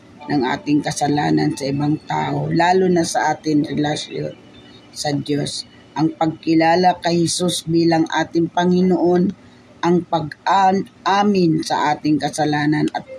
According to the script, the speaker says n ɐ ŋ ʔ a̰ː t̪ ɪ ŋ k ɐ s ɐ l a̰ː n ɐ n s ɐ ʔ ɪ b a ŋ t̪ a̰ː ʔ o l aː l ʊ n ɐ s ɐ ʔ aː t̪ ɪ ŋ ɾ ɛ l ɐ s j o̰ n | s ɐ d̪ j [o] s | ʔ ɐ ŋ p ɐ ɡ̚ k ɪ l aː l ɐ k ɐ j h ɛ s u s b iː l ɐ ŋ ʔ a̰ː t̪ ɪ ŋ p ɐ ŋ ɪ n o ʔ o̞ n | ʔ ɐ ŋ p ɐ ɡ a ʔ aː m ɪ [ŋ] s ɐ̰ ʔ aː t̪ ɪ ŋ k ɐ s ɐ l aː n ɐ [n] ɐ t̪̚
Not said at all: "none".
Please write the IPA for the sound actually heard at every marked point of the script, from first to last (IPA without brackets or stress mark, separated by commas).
o, n, n